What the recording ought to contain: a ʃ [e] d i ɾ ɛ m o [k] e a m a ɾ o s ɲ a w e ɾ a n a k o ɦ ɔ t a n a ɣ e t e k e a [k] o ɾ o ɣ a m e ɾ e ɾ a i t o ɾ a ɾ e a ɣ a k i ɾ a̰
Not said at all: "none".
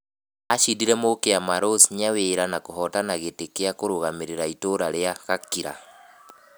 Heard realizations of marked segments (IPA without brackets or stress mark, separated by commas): i, k, k